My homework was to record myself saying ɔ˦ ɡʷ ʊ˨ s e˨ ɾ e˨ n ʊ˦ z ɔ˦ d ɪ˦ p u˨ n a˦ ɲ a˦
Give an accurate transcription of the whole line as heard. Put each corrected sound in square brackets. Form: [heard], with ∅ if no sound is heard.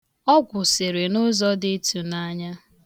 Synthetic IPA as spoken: ɔ˦ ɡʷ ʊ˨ s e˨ ɾ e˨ n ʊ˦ z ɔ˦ d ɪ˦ [t] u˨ n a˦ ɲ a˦